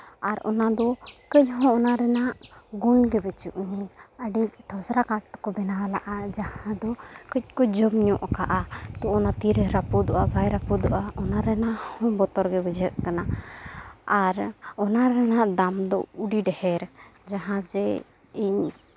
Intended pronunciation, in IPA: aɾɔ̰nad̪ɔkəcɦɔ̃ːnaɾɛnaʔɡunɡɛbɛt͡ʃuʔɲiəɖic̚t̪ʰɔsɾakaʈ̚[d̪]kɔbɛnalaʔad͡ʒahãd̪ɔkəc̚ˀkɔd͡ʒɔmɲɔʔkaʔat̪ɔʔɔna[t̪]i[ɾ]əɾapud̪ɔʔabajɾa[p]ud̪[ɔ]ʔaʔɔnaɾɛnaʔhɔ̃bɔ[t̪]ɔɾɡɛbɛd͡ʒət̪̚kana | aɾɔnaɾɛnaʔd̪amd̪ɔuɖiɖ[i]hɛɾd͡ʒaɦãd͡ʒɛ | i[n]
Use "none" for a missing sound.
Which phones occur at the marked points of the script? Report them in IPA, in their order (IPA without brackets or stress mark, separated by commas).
t̪, t̪, ɾ, p, ɔ, t̪, ɛ, ɲ